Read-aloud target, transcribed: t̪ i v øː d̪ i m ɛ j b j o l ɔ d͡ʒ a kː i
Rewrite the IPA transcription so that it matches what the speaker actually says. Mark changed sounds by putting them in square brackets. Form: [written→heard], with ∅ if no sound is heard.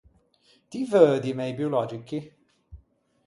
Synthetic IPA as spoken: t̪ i v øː d̪ i m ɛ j b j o l ɔ d͡ʒ [a→i] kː i

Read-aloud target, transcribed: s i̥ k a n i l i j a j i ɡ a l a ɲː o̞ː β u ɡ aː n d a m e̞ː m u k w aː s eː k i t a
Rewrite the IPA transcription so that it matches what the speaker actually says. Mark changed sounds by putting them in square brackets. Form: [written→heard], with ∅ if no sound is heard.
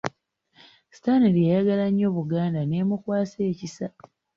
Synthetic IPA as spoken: s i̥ [k→t] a n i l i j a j [i→a] ɡ a l a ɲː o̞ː β u ɡ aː n d a [m→n] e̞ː m u k w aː s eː [k→c] i [t→s] a

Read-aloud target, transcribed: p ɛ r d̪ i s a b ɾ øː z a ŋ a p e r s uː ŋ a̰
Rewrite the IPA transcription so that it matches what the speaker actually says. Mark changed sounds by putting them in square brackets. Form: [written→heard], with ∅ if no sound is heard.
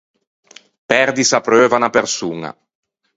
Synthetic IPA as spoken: p ɛ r d̪ i s a [b→p] ɾ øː [z→v] a [ŋ→n] a p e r s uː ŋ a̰

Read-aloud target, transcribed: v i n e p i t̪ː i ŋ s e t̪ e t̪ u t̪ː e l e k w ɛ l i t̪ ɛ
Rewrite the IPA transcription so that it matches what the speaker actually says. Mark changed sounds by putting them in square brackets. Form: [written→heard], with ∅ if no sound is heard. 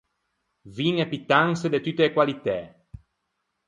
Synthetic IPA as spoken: v i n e p i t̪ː [i→a] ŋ s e [t̪→d̪] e t̪ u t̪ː e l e k w [ɛ→a] l i t̪ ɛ

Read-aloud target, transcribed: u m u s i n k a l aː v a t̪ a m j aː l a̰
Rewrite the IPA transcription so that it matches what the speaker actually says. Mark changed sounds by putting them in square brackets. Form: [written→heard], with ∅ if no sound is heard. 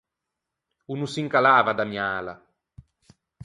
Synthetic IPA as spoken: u [m→n] u s i [n→ŋ] k a l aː v a [t̪→d̪] a m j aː l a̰

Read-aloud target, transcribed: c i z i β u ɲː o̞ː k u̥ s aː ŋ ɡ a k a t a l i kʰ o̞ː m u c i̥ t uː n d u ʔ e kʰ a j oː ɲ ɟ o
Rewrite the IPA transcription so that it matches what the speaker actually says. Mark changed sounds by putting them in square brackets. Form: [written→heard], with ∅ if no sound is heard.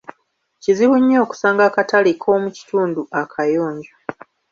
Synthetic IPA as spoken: c i z i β u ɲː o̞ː k u̥ s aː ŋ ɡ a k a t a l i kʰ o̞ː m u c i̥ t uː n d u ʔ [e→a] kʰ a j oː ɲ ɟ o

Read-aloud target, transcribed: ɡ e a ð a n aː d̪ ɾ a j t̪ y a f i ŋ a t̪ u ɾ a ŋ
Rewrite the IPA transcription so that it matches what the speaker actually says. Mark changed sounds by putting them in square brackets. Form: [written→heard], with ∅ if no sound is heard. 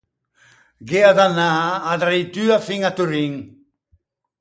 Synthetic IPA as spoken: ɡ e a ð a n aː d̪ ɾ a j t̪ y a f i ŋ a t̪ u ɾ [a→i] ŋ

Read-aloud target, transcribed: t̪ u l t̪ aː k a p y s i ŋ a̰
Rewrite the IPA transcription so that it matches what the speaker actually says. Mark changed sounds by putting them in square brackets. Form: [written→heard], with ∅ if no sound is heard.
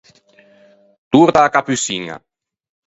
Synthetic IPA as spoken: t̪ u [l→ɾ] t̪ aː k a p y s i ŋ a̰

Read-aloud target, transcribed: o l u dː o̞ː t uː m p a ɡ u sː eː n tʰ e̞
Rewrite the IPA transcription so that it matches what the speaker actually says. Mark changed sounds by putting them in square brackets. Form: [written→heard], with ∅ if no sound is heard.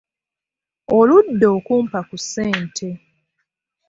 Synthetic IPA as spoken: o l u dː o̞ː [t→k] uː m p a [ɡ→k] u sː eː n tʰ e̞

